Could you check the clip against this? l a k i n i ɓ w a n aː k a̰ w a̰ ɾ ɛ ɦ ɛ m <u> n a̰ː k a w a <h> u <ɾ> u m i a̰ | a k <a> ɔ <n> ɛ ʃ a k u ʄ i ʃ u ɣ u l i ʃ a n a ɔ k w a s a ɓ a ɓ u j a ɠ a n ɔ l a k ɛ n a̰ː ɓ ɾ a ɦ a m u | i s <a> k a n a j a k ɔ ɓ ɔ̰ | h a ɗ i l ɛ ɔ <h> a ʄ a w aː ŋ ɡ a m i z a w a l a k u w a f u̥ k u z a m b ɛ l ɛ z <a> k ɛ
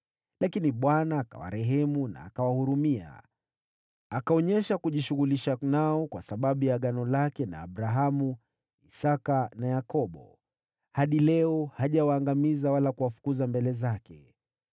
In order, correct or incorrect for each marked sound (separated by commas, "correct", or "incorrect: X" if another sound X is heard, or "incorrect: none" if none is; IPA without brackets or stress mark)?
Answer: correct, correct, correct, correct, incorrect: ɲ, correct, correct, correct